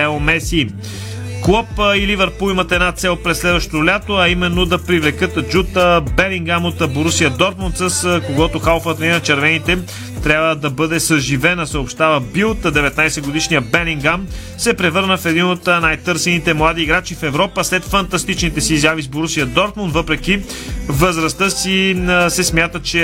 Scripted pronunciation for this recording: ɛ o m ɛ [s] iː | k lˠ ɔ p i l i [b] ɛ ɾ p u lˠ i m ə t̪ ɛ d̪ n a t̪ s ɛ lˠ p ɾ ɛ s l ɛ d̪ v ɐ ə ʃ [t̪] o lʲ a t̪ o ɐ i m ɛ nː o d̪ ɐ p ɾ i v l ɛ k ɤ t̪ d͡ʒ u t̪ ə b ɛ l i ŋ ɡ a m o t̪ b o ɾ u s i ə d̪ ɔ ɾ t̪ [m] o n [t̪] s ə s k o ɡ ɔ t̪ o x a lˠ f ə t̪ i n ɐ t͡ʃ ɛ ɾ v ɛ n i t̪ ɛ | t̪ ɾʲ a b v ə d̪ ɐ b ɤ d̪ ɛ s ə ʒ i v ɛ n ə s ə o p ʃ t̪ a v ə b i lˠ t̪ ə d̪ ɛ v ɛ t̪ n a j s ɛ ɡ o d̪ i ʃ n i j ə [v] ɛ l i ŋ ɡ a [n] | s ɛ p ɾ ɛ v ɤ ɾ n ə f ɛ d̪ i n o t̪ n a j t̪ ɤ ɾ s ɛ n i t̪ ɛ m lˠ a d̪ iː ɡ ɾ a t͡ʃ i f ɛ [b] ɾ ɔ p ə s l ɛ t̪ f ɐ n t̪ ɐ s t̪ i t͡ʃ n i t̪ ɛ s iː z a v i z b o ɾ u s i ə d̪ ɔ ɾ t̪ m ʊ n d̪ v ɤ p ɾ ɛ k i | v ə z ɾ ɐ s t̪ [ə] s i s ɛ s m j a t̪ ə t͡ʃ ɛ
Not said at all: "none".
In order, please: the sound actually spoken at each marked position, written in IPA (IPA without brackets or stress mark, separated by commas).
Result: s, v, t̪, m, t̪, b, m, v, ə